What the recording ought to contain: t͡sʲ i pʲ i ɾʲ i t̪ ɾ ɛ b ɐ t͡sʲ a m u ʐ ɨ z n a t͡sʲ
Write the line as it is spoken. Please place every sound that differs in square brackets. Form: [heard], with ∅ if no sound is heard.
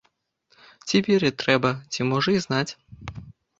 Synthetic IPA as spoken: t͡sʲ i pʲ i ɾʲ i t̪ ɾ ɛ b ɐ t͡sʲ [i] m [ɔ] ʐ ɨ z n a t͡sʲ